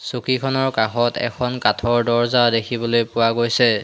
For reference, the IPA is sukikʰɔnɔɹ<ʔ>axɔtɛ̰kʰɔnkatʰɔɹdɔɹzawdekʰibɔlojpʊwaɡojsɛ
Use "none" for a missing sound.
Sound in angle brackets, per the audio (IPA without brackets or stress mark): k